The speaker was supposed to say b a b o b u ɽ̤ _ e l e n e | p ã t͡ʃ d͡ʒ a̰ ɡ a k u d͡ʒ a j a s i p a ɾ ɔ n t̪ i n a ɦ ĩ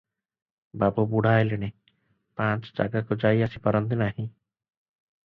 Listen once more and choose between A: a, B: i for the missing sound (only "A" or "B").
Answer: A